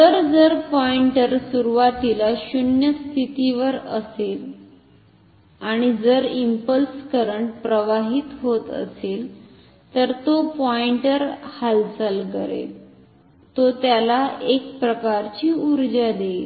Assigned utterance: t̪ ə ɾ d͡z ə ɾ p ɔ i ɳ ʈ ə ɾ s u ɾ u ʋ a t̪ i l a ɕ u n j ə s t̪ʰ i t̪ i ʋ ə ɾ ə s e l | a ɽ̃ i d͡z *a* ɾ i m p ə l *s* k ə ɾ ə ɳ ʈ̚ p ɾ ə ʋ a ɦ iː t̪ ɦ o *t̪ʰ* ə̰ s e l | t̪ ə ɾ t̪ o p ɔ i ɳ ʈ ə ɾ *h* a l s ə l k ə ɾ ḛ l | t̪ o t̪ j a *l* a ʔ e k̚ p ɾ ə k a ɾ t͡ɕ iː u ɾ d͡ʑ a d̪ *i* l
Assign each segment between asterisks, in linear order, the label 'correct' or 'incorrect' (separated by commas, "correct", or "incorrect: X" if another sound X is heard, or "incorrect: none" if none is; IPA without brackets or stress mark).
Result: incorrect: ə, correct, incorrect: t̪, correct, correct, incorrect: e